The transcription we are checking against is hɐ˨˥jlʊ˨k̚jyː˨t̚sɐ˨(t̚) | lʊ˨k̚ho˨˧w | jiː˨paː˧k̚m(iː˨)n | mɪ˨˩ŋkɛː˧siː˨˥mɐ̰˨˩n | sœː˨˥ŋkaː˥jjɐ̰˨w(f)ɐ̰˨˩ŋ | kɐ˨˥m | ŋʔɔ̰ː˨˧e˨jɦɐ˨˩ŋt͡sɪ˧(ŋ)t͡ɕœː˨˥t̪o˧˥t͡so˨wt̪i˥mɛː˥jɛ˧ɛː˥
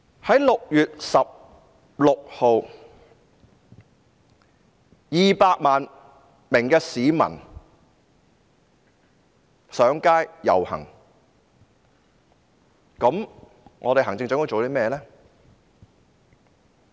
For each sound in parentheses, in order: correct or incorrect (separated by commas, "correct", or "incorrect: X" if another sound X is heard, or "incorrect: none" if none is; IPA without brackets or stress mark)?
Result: incorrect: p̚, incorrect: aː˨, incorrect: h, correct